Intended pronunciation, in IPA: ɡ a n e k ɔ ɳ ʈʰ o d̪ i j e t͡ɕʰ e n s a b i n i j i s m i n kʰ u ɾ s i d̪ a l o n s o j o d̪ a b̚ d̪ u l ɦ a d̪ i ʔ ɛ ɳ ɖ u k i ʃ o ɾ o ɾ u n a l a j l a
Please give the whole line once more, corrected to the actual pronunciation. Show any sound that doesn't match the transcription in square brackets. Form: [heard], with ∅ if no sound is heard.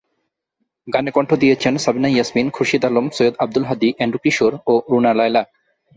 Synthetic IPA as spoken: ɡ a n e k ɔ ɳ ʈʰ o d̪ i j e t͡ɕʰ e n s a b i n [a] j [a] s m i n kʰ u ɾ [ʃ] i d̪ a l o [m] s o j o d̪ a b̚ d̪ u l ɦ a d̪ i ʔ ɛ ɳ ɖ u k i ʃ o ɾ o ɾ u n a l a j l a